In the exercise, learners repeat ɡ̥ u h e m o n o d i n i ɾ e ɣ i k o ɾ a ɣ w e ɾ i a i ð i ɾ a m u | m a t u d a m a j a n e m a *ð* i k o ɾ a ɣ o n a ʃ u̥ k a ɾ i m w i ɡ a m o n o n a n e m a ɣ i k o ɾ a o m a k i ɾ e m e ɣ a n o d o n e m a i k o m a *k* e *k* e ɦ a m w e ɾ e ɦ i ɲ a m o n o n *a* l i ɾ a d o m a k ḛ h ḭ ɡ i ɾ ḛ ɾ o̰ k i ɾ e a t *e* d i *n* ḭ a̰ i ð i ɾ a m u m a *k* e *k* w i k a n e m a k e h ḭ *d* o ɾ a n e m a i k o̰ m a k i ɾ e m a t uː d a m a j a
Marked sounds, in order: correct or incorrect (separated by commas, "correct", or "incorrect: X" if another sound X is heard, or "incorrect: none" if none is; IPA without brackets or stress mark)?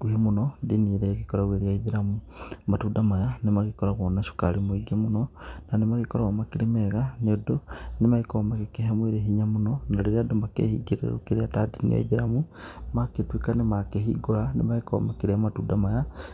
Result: incorrect: ɣ, correct, correct, correct, incorrect: a, correct, correct, incorrect: t, incorrect: ɡ